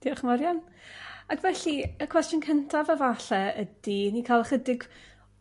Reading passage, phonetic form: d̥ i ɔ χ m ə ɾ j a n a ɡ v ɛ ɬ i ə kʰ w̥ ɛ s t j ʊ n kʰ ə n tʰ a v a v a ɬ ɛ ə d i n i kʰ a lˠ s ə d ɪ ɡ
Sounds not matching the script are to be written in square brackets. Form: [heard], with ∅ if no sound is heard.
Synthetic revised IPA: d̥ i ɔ χ m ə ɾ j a n a ɡ v ɛ ɬ i ə kʰ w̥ ɛ s t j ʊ n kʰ ə n tʰ a v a v a ɬ ɛ ə d i n i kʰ a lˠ [χ] ə d ɪ ɡ